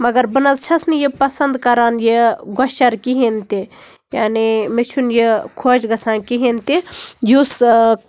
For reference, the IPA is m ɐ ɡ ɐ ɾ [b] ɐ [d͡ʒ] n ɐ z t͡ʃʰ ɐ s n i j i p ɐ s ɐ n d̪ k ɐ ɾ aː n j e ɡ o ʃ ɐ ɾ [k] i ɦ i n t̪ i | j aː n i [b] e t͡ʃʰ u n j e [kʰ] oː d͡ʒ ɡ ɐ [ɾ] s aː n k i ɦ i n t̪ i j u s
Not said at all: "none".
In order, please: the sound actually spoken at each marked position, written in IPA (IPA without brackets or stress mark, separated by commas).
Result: b, none, k, m, kʰ, none